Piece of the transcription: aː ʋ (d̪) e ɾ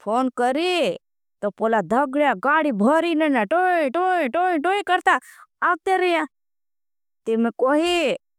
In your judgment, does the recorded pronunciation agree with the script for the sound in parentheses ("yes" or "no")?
no